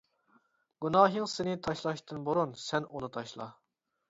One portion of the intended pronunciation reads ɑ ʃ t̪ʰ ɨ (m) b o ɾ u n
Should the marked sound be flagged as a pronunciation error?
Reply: yes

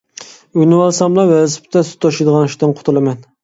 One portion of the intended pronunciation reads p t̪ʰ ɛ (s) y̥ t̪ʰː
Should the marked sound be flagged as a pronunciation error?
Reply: no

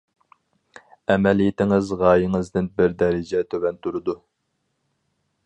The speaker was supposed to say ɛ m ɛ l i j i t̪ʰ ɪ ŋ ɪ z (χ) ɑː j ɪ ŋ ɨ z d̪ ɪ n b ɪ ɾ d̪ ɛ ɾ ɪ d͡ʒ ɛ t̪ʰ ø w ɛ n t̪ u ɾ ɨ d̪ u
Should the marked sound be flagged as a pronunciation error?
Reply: yes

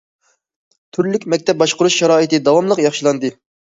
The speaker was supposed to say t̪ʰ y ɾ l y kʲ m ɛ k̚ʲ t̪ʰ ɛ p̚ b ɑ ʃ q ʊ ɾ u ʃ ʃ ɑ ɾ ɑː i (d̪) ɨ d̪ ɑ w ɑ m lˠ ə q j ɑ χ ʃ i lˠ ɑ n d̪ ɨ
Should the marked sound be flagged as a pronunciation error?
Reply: yes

